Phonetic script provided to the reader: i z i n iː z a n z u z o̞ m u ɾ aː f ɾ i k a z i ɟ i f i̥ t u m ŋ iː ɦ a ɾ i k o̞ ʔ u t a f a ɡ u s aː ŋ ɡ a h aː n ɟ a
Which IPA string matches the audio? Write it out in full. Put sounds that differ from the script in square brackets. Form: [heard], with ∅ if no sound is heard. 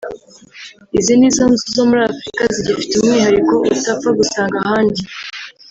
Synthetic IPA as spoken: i z i n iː z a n z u z o̞ m u ɾ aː f ɾ i k a z i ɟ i f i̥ t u m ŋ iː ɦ a ɾ i k o̞ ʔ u t a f a ɡ u s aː ŋ ɡ a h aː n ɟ [i]